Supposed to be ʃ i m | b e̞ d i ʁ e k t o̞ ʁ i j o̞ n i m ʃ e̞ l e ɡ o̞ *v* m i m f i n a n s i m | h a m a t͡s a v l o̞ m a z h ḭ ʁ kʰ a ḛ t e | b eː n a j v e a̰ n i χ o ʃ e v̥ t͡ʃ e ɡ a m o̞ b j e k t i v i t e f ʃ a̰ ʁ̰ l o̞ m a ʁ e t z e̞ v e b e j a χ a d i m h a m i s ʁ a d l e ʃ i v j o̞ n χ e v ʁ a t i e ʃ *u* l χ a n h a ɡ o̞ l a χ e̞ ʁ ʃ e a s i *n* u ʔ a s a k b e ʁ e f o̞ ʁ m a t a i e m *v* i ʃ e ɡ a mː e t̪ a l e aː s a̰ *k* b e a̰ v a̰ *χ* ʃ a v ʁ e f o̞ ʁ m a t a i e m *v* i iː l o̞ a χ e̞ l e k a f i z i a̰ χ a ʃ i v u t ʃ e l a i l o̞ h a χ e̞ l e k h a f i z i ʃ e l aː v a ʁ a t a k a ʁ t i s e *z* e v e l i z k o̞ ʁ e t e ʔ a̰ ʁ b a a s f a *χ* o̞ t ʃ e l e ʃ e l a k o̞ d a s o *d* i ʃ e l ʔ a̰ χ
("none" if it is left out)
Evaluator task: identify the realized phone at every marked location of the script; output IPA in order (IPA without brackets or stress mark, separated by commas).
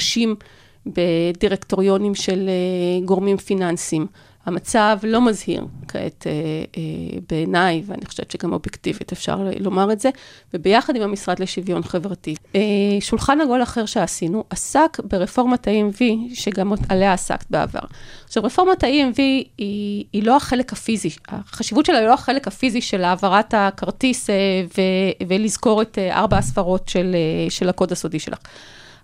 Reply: ʁ, u, n, v, k, ʁ, v, v, ʁ, d